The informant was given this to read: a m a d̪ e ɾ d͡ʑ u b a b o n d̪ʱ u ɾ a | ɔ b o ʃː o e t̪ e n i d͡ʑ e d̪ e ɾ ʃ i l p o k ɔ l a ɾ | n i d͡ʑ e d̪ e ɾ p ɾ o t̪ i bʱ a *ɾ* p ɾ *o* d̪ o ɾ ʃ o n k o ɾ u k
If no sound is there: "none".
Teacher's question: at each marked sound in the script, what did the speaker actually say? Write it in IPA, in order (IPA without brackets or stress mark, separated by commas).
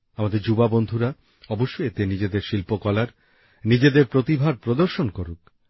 ɾ, o